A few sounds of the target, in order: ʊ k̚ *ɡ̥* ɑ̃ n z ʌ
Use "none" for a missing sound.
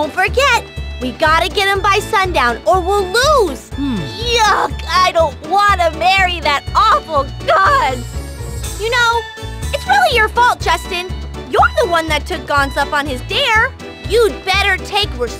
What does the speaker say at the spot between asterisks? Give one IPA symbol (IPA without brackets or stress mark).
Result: ɡ̥